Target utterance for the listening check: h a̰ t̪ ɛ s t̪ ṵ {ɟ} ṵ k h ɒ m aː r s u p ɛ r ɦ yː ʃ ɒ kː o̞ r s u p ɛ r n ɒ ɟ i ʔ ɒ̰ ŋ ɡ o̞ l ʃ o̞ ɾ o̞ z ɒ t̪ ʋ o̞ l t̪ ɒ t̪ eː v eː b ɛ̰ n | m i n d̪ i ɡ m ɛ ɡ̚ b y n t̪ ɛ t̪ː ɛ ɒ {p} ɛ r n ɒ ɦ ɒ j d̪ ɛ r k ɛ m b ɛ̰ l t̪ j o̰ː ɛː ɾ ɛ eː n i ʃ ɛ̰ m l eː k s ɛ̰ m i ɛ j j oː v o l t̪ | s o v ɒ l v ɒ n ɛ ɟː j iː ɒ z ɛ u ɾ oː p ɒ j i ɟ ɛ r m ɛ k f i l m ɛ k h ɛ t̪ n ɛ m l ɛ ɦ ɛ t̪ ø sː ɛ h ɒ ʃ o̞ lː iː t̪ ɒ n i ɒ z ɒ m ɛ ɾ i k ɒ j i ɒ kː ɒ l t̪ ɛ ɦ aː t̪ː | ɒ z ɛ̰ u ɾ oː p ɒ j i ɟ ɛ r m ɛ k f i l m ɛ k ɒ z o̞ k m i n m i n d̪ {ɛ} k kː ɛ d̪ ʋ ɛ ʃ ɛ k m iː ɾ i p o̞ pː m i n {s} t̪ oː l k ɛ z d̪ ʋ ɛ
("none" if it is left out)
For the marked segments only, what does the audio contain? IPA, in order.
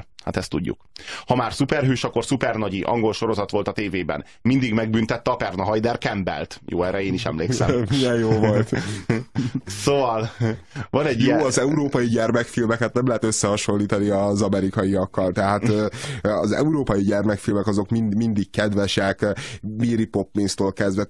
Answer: ɟː, p, i, s

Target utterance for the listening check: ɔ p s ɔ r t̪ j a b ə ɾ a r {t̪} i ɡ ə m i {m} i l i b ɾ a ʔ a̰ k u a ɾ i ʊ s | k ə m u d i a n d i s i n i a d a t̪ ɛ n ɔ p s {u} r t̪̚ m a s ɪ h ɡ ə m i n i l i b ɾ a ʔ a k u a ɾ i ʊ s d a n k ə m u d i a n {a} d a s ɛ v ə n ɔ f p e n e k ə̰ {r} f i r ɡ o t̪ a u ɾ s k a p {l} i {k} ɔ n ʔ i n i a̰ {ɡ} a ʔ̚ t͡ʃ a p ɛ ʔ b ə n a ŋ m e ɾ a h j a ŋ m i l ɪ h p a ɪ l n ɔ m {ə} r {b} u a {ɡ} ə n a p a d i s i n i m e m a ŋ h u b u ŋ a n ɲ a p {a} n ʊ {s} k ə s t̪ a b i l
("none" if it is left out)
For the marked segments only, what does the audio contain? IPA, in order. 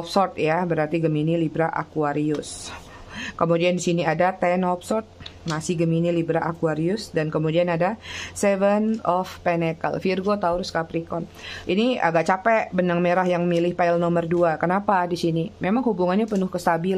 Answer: t̪, n, ɔ, a, l, ɾ, k, ɡ, ə, d, k, ə, h

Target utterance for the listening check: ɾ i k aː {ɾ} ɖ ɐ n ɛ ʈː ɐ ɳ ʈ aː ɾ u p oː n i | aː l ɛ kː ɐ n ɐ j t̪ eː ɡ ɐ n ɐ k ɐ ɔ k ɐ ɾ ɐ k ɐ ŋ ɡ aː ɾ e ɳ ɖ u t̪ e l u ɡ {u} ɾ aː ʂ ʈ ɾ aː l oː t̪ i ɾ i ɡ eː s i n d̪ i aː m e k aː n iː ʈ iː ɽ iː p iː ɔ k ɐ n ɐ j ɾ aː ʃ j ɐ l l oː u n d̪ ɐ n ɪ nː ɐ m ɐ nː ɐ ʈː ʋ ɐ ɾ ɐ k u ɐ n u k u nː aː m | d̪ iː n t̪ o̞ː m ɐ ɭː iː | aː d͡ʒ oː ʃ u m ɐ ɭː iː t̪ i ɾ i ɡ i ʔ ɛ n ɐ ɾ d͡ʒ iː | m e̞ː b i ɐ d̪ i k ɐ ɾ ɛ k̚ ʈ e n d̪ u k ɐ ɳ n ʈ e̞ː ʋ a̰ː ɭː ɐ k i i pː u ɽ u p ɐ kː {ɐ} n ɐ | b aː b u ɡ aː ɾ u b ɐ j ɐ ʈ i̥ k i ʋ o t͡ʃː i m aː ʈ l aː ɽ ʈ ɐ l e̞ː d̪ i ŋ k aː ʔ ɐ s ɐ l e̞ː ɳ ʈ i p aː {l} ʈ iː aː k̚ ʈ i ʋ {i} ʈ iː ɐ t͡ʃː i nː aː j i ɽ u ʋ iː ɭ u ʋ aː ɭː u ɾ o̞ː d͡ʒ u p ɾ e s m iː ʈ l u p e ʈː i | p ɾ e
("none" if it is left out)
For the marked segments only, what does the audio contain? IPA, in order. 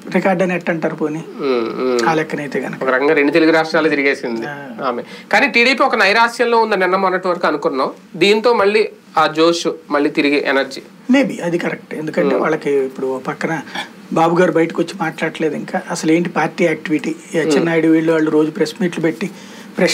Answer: ɾ, u, ɐ, ɾ, i

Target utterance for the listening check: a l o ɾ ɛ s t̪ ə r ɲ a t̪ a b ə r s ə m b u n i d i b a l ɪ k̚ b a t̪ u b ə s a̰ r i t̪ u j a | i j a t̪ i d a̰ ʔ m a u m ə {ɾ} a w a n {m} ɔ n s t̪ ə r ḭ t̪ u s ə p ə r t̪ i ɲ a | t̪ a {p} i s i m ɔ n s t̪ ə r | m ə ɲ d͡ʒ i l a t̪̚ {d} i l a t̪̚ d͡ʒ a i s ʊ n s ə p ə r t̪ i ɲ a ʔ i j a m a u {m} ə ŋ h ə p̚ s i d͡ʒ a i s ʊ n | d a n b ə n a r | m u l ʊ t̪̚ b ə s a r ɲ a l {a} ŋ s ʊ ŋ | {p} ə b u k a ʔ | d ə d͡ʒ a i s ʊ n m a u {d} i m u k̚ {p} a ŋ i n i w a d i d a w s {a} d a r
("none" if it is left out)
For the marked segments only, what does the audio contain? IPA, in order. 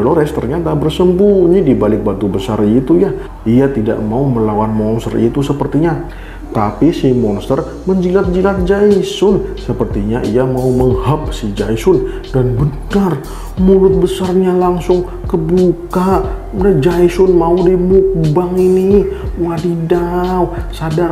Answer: l, m, p, d͡ʒ, m, a, k, d, b, a

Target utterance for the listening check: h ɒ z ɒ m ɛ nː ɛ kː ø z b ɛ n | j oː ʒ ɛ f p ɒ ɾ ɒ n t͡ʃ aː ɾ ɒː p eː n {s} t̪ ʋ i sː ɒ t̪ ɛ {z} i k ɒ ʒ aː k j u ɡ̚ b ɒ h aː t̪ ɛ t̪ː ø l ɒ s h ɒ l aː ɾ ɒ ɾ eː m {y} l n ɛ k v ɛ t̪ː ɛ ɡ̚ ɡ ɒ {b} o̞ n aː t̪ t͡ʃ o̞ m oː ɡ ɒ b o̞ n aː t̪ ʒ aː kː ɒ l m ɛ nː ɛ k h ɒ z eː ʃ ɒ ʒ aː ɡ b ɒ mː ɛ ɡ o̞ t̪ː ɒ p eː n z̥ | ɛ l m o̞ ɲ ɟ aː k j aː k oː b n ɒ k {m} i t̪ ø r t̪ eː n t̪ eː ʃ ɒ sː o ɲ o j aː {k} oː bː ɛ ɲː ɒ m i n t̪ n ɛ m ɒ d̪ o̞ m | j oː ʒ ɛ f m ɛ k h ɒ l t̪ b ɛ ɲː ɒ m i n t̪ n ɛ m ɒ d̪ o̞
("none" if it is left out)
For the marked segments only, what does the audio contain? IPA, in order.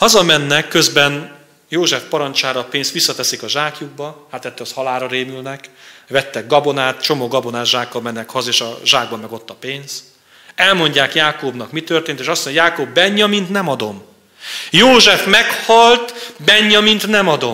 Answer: s, s, y, b, m, k

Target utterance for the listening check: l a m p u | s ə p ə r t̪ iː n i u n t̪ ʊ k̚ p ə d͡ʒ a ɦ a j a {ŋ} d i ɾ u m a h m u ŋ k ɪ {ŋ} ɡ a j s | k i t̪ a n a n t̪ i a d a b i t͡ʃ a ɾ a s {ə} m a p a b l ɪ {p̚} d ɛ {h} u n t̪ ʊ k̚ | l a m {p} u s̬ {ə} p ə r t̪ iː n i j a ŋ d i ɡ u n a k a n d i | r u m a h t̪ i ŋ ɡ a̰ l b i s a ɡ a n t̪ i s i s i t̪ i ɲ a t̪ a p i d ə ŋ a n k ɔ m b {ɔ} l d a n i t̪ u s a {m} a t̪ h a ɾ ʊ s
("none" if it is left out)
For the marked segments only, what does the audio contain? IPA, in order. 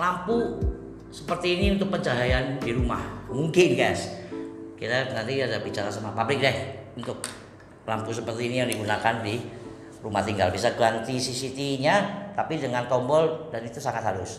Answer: n, n, a, k̚, h, p, ə, ɔ, ŋ

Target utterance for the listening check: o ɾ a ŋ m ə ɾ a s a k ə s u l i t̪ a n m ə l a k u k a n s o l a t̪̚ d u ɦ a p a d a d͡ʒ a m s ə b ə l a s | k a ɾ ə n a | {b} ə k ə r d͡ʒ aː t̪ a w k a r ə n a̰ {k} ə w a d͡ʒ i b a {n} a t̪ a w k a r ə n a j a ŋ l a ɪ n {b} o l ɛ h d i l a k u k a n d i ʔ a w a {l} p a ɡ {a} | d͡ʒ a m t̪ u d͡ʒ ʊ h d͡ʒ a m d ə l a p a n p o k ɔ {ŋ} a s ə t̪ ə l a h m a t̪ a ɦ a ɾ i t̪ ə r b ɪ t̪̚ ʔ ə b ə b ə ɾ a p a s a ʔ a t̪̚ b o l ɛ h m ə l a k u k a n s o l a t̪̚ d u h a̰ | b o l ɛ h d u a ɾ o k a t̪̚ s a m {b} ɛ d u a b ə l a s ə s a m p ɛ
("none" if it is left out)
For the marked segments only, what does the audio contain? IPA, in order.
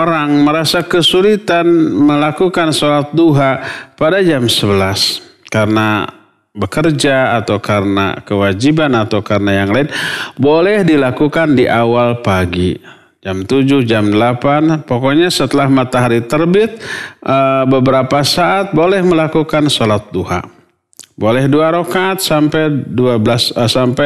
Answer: b, k, n, b, l, i, ɲ, p

